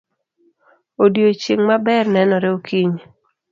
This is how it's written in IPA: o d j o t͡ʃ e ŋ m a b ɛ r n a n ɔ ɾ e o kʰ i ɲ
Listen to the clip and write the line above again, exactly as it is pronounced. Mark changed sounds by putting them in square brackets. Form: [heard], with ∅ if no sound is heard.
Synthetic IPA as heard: o d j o t͡ʃ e ŋ m a b ɛ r n [ɛ] n ɔ ɾ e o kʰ i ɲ